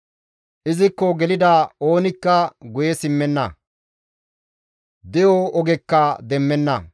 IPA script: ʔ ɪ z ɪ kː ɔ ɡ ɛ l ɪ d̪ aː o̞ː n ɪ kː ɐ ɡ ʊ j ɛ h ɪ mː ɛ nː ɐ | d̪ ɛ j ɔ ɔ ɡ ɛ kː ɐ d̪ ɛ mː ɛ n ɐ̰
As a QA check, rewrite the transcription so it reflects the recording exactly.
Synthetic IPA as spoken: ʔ ɪ z ɪ kː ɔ ɡ ɛ l ɪ d̪ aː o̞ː n ɪ kː ɐ ɡ ʊ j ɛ s ɪ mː ɛ nː ɐ | d̪ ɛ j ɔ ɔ ɡ ɛ kː ɐ d̪ ɛ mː ɛ nː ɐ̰

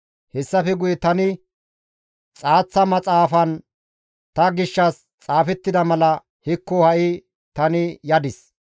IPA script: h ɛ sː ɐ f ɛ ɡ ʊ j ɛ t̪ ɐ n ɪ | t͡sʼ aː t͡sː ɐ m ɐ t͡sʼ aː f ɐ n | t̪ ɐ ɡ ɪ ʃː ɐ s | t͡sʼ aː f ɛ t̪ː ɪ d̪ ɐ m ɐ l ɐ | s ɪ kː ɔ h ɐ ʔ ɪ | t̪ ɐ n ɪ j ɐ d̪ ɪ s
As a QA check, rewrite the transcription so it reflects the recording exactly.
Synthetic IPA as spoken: h ɛ sː ɐ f ɛ ɡ ʊ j ɛ t̪ ɐ n ɪ | t͡sʼ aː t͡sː ɐ m ɐ t͡sʼ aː f ɐ n | t̪ ɐ ɡ ɪ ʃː ɐ s | t͡sʼ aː f ɛ t̪ː ɪ d̪ ɐ m ɐ l ɐ | h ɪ kː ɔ h ɐ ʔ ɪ | t̪ ɐ n ɪ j ɐ d̪ ɪ s

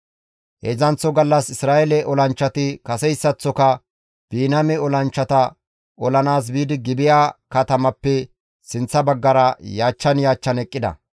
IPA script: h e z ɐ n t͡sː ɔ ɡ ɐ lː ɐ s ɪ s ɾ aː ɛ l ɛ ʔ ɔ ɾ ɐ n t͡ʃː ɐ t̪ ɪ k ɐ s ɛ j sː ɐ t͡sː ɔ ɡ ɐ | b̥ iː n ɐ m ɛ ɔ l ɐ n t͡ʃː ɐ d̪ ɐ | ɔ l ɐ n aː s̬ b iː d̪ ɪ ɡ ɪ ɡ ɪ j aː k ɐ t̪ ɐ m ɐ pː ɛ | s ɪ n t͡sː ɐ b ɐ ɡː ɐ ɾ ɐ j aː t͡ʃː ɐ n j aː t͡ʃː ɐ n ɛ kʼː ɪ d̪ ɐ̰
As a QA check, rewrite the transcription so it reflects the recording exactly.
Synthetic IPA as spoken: h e z ɐ n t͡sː ɔ ɡ ɐ lː ɐ s ɪ s ɾ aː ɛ l ɛ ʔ ɔ l ɐ n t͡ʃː ɐ t̪ ɪ k ɐ s ɛ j sː ɐ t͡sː ɔ k ɐ | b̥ iː n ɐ m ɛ ɔ l ɐ n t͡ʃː ɐ t̪ ɐ | ɔ l ɐ n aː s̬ b iː d̪ ɪ ɡ ɪ b ɪ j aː k ɐ t̪ ɐ m ɐ pː ɛ | s ɪ n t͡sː ɐ b ɐ ɡː ɐ ɾ ɐ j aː t͡ʃː ɐ n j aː t͡ʃː ɐ n ɛ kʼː ɪ d̪ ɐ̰

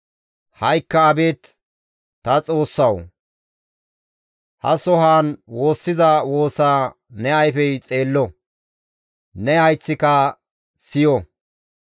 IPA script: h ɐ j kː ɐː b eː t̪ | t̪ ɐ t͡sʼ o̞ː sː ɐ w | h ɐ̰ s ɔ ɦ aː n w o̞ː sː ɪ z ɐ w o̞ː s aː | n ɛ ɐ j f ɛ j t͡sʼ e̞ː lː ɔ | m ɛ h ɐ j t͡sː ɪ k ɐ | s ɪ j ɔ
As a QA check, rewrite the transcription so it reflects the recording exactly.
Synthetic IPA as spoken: h ɐ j kː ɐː b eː t̪ | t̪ ɐ t͡sʼ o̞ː sː ɐ w | h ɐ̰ s ɔ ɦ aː n w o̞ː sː ɪ z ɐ w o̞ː s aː | n ɛ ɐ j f ɛ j t͡sʼ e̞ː lː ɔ | n ɛ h ɐ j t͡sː ɪ k ɐ | s ɪ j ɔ

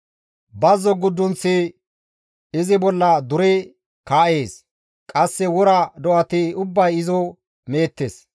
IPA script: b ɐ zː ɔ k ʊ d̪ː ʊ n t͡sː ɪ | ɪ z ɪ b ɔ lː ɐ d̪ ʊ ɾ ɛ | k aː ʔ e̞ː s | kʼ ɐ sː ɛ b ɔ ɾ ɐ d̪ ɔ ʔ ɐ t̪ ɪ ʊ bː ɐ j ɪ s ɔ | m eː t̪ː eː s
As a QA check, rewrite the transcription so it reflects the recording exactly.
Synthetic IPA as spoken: b ɐ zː ɔ ɡ ʊ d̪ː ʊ n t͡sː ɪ | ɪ z ɪ b ɔ lː ɐ d̪ ʊ ɾ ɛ | k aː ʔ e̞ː s | kʼ ɐ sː ɛ w ɔ ɾ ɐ d̪ ɔ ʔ ɐ t̪ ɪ ʊ bː ɐ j ɪ z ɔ | m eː t̪ː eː s

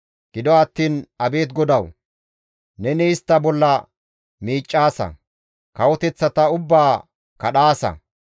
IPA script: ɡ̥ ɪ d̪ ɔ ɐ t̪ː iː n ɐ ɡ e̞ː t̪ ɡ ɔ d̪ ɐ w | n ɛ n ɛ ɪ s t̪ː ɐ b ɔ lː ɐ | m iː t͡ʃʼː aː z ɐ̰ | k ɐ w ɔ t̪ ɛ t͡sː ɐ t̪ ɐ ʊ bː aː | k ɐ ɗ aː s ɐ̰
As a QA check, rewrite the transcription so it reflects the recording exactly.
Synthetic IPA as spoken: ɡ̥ ɪ d̪ ɔ ɐ t̪ː iː n ɐ b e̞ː t̪ ɡ ɔ d̪ ɐ w | n ɛ n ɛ ɪ s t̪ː ɐ b ɔ lː ɐ | m iː t͡ʃʼː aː s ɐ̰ | k ɐ w ɔ t̪ ɛ t͡sː ɐ t̪ ɐ ʊ bː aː | k ɐ ɗ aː s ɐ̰

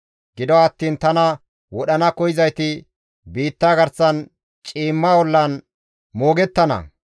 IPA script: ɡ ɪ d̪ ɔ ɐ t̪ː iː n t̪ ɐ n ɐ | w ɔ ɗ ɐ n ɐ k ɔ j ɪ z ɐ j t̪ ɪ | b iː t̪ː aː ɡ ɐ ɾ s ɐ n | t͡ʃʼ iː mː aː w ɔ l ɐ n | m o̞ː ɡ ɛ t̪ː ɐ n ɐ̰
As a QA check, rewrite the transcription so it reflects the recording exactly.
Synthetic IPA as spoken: ɡ ɪ d̪ ɔ ɐ t̪ː iː n t̪ ɐ n ɐ | w ɔ ɗ ɐ n ɐ k ɔ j ɪ z ɐ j t̪ ɪ | b iː t̪ː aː ɡ ɐ ɾ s ɐ n | t͡ʃʼ iː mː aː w ɔ lː ɐ n | m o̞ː ɡ ɛ t̪ː ɐ n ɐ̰

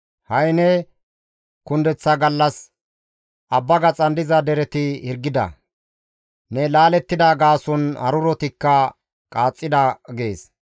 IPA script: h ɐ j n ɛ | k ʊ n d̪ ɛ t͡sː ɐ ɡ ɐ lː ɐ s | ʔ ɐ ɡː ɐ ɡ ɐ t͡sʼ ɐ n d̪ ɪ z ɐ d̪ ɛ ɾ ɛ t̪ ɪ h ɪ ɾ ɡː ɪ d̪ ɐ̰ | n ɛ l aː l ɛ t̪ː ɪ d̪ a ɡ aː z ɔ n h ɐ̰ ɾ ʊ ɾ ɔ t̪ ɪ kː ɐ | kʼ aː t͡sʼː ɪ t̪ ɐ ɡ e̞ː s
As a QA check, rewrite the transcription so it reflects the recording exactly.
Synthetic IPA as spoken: h ɐ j n ɛ | k ʊ n d̪ ɛ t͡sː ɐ ɡ ɐ lː ɐ s | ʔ ɐ bː ɐ ɡ ɐ t͡sʼ ɐ n d̪ ɪ z ɐ d̪ ɛ ɾ ɛ t̪ ɪ h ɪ ɾ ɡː ɪ d̪ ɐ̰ | n ɛ l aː l ɛ t̪ː ɪ d̪ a ɡ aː s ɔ n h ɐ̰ ɾ ʊ ɾ ɔ t̪ ɪ kː ɐ | kʼ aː t͡sʼː ɪ d̪ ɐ ɡ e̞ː s

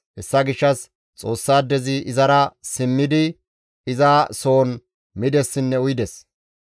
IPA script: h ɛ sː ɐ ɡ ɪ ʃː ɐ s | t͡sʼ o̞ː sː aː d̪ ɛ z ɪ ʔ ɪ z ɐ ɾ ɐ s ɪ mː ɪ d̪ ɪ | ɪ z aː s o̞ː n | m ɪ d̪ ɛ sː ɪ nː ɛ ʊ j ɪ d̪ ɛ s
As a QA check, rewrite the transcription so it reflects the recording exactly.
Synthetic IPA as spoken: h ɛ sː ɐ ɡ ɪ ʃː ɐ s | t͡sʼ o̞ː sː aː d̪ ɛ z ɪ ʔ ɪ z ɐ ɾ ɐ s ɪ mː ɪ d̪ ɪ | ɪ z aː s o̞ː n | m ɪ d̪ ɛ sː ɪ nː ɛ ʊ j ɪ d̪ ɛ s

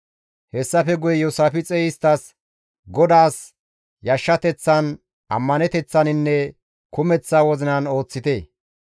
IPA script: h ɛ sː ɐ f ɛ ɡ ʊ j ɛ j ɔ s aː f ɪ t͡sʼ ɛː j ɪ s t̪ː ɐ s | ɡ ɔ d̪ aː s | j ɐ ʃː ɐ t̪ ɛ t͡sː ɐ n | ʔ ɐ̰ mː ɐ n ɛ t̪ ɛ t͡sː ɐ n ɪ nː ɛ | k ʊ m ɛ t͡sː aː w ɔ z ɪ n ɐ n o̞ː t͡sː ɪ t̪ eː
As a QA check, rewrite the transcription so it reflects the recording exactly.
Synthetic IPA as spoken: h ɛ sː ɐ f ɛ ɡ ʊ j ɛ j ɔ s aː f ɪ t͡sʼ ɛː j ɪ s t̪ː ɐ s | ɡ ɔ d̪ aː s | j ɐ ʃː ɐ t̪ ɛ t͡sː ɐ n | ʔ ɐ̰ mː ɐ n ɛ t̪ ɛ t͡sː ɐ n ɪ nː ɛ | k ʊ m ɛ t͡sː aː w ɔ z ɪ n ɐ n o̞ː t͡sː ɪ t̪ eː

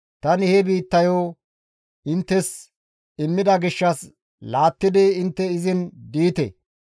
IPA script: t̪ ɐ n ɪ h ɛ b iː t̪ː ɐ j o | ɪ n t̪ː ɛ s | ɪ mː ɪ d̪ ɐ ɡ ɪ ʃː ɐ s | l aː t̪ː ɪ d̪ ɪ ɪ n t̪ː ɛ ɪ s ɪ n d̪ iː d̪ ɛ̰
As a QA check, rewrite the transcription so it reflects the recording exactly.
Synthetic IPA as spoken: t̪ ɐ n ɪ h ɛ b iː t̪ː ɐ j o | ɪ n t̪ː ɛ s | ɪ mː ɪ d̪ ɐ ɡ ɪ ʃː ɐ s | l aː t̪ː ɪ d̪ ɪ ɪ n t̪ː ɛ ɪ z ɪ n d̪ iː t̪ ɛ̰

